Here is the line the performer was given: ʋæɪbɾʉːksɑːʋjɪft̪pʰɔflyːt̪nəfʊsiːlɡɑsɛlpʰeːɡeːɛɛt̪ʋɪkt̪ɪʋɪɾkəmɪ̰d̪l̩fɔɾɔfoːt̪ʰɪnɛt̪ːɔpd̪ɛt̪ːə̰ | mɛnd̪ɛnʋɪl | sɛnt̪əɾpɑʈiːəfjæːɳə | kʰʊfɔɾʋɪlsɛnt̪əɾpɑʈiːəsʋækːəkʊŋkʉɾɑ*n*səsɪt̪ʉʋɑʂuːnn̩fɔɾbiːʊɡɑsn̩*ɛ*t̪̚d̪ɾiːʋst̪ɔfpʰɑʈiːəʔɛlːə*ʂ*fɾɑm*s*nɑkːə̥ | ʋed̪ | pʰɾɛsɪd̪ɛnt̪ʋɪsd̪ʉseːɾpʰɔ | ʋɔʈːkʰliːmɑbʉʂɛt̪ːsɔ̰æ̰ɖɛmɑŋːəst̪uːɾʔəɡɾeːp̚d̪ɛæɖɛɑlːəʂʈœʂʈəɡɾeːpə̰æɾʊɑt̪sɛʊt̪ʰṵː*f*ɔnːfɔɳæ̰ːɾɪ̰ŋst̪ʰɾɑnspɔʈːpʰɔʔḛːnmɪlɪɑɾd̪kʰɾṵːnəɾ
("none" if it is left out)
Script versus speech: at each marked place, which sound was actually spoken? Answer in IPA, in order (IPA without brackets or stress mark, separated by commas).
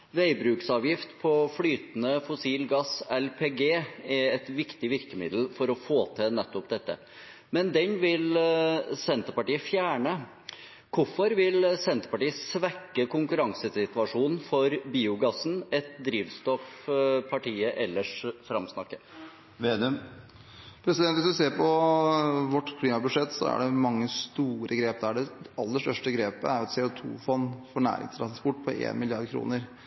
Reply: ŋ, ɛ, ʂ, s, f